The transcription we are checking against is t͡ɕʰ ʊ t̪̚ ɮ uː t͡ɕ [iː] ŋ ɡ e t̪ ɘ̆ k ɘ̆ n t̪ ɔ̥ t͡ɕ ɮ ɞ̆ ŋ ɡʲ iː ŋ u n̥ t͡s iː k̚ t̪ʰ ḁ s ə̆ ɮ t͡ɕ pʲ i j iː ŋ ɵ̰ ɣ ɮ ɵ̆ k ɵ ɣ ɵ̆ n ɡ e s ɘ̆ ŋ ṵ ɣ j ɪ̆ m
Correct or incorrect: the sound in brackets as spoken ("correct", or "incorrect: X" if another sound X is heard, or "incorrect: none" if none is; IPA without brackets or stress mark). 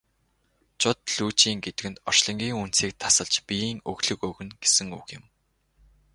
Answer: correct